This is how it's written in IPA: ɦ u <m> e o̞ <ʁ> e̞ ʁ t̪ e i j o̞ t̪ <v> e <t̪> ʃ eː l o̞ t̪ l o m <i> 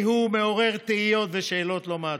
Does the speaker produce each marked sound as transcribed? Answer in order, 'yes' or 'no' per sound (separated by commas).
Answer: yes, yes, yes, no, no